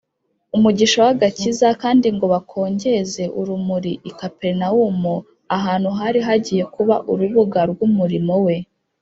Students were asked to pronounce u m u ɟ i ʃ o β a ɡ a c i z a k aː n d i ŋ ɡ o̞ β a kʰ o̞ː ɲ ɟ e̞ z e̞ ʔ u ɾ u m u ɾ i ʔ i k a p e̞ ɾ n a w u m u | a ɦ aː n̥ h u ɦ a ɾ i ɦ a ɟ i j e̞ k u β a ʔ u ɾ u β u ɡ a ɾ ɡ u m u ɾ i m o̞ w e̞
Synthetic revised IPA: u m u ɟ i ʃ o w a ɡ a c i z a k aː n d i ŋ ɡ o̞ β a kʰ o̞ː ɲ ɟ e̞ z e̞ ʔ u ɾ u m u ɾ i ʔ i k a p e̞ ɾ n a w u m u | a ɦ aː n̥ h u ɦ a ɾ i ɦ a ɟ i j e̞ k u β a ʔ u ɾ u β u ɡ a ɾ ɡ u m u ɾ i m o̞ w e̞

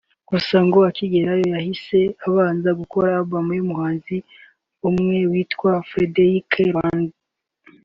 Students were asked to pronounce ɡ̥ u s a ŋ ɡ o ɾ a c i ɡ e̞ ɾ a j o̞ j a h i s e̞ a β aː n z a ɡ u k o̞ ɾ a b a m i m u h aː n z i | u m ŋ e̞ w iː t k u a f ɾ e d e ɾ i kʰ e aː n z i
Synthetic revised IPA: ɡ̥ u s a ŋ ɡ o a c i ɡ e̞ ɾ a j o̞ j a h i s e̞ a β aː n z a ɡ u k o̞ ɾ a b a m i m u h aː n z i | u m ŋ e̞ w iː t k w a f ɾ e d e ɾ i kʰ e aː n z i

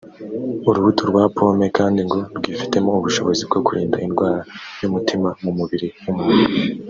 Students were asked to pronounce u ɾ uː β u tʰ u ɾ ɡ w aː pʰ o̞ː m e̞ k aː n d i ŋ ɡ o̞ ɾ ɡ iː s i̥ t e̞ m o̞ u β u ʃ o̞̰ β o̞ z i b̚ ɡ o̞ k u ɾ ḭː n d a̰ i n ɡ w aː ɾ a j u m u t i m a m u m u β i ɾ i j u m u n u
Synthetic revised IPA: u ɾ u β u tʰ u ɾ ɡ w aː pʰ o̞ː m e̞ k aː n d i ŋ ɡ o̞ ɾ ɡ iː f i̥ t e̞ m o̞ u β u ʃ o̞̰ β o̞ z i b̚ ɡ o̞ k u ɾ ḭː n d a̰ i n ɡ w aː ɾ a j u m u t i m a m u m u β i ɾ i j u m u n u

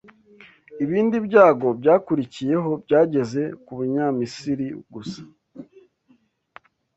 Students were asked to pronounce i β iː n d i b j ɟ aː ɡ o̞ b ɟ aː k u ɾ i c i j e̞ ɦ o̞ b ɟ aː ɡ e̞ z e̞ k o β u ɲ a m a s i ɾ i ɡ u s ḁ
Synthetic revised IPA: i β iː n d i b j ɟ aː ɡ o̞ b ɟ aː k u ɾ i c i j e̞ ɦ o̞ b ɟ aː ɟ e̞ z e̞ k u β u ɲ a m i s i ɾ i ɡ u s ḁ

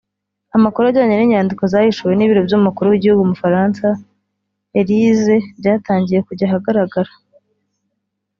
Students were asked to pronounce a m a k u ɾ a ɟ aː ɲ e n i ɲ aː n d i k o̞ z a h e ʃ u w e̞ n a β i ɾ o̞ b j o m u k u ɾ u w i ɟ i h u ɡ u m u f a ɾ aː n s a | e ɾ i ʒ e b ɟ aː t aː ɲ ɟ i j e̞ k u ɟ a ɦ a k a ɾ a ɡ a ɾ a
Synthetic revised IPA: a m a k u ɾ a ɟ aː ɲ e n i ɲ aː n d i k o̞ z a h i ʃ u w e̞ n i β i ɾ o̞ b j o m u k u ɾ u w i ɟ i h u ɡ u m u f a ɾ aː n s a | e ɾ i z e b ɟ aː t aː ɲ ɟ i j e̞ k u ɟ a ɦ a ɡ a ɾ a ɡ a ɾ a

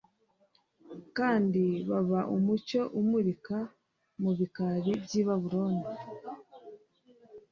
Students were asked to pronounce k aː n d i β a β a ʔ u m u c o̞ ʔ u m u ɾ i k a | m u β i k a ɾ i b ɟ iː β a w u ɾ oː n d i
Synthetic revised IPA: k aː n d i β a β a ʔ u m u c o̞ ʔ u m u ɾ i k a | m u β i k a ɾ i b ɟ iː β a β u ɾ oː n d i

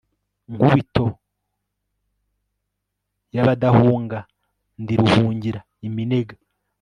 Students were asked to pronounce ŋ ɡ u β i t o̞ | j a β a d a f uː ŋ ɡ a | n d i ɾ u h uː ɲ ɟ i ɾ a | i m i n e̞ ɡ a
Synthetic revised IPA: ŋ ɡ u β i t o̞ | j a β a d a h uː ŋ ɡ a | n d i ɾ u h uː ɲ ɟ i ɾ a | i m i n e̞ ɡ a

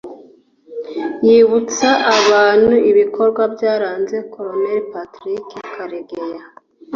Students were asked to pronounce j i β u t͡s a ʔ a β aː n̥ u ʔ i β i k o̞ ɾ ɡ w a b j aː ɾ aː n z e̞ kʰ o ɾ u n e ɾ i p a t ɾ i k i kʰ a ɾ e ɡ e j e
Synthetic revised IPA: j i β u t͡s a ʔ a β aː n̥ u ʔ i β i k o̞ ɾ ɡ w a b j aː ɾ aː n z e̞ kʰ o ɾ o n e ɾ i p a t ɾ i k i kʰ a ɾ e ɡ e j a

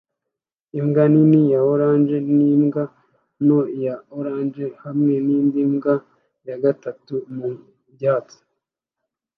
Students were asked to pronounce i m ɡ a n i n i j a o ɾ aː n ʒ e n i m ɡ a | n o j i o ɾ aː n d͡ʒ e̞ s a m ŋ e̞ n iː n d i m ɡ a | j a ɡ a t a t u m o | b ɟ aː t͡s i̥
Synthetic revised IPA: i m ɡ a n i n i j a o ɾ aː n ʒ e n i m ɡ a | n o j a o ɾ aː n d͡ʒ e̞ h a m ŋ e̞ n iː n d i m ɡ a | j a ɡ a t a t u m u | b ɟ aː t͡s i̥

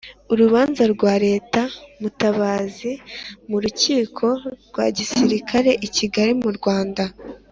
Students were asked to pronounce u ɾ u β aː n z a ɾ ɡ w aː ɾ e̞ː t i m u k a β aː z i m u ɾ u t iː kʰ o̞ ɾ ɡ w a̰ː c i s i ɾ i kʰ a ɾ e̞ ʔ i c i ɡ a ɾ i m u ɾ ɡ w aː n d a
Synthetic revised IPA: u ɾ u β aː n z a ɾ ɡ w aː ɾ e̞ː t a m u t a β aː z i m u ɾ u c iː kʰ o̞ ɾ ɡ w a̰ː ɟ i s i ɾ i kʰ a ɾ e̞ ʔ i c i ɡ a ɾ i m u ɾ ɡ w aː n d a

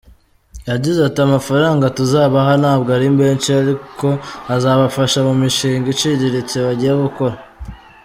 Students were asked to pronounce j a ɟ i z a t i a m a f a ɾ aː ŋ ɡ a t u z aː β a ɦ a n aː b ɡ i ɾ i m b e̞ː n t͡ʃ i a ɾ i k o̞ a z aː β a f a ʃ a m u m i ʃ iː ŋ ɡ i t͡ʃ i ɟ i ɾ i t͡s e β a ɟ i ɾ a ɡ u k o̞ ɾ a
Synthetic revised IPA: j a ɟ i z a t i a m a f a ɾ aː ŋ ɡ a t u z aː β a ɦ a n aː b ɡ a ɾ i m b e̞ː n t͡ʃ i a ɾ i k o̞ a z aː β a f a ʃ a m u m i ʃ iː ŋ ɡ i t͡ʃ i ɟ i ɾ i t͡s e β a ɟ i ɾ a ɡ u k o̞ ɾ a

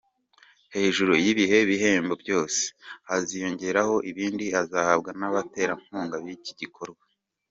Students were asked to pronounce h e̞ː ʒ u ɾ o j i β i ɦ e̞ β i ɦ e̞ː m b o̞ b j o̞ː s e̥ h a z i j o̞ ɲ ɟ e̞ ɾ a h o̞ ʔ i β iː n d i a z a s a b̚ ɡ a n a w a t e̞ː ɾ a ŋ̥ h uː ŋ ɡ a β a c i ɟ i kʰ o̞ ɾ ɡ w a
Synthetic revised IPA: h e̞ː ʒ u ɾ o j i β i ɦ e̞ β i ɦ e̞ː m b o̞ b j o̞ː s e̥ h a z i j o̞ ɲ ɟ e̞ ɾ a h o̞ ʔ i β iː n d i a z a h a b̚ ɡ a n a β a t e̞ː ɾ a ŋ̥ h uː ŋ ɡ a β i c i ɟ i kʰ o̞ ɾ ɡ w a

